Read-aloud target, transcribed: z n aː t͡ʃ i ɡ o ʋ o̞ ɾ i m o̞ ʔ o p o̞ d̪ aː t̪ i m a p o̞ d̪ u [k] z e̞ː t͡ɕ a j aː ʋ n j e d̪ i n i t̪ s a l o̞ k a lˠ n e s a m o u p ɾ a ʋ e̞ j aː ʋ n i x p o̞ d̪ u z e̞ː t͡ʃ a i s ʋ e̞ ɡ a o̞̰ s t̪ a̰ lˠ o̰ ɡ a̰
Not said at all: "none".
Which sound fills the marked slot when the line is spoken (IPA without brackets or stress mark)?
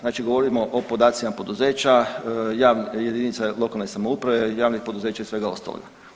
none